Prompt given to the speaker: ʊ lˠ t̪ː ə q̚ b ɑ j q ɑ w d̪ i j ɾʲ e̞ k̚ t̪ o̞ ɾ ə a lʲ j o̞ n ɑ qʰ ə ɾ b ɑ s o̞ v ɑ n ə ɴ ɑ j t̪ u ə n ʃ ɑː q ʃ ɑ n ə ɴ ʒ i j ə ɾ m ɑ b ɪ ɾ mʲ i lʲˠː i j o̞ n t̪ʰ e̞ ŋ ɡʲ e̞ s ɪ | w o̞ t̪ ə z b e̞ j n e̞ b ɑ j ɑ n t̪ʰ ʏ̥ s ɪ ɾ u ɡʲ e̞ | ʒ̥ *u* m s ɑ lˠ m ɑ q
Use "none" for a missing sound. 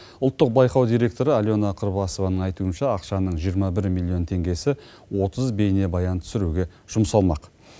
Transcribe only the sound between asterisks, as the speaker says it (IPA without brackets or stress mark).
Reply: ʊ